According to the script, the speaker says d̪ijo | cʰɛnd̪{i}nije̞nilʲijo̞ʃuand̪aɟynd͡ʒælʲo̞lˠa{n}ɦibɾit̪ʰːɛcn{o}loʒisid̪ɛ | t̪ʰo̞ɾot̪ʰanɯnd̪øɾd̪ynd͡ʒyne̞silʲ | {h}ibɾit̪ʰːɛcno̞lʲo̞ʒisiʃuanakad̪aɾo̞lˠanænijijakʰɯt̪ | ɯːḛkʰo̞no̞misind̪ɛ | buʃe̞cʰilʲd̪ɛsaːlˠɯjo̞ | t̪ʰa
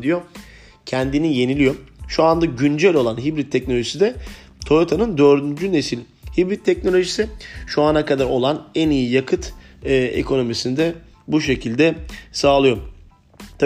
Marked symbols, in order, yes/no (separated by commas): yes, yes, yes, yes